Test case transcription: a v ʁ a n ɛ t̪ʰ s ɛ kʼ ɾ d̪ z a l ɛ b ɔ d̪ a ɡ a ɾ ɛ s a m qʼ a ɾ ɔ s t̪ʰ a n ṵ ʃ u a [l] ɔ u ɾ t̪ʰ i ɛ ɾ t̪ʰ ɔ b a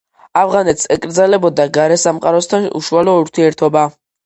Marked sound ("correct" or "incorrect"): correct